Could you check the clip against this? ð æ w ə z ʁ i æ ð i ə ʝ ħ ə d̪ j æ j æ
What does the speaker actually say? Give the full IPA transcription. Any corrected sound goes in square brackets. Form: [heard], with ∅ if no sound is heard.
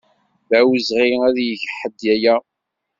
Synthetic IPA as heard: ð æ w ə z ʁ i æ ð [j] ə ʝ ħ ə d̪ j æ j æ